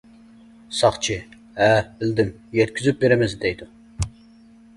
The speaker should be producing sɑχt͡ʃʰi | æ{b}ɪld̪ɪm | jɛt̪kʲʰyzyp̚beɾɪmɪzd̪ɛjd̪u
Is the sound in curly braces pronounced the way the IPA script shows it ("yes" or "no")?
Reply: yes